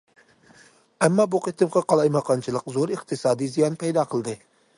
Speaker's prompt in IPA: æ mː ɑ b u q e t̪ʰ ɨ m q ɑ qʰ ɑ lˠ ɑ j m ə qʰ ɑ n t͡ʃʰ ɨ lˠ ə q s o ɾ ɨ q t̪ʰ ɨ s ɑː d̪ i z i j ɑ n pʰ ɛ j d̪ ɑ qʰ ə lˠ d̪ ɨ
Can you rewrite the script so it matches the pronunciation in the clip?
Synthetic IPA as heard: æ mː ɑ b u q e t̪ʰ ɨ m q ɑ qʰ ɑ lˠ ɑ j m ɑ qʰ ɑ n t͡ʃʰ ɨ lˠ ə q z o ɾ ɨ q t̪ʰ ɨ s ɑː d̪ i z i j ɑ n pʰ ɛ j d̪ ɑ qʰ ə lˠ d̪ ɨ